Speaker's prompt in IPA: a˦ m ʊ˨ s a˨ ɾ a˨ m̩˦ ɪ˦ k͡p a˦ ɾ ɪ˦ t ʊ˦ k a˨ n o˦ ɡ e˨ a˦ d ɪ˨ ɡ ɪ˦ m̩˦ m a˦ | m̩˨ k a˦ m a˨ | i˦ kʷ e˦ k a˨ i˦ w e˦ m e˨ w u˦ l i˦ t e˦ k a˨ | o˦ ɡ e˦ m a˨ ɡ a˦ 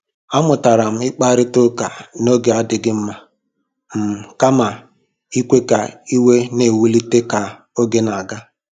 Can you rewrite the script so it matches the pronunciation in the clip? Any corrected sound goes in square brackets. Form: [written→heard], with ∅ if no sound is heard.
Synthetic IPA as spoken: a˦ m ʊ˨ [s→t] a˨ ɾ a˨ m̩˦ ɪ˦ k͡p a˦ ɾ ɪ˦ t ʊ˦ k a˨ n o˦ ɡ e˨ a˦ d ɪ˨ ɡ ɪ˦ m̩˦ m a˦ | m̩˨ k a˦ m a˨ | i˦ kʷ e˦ k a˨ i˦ w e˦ [m→n] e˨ w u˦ l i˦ t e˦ k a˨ | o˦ ɡ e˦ [m→n] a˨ ɡ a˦